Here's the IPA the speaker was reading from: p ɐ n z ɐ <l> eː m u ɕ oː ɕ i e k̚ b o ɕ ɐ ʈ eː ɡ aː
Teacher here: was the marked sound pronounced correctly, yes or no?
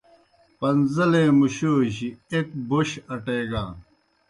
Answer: yes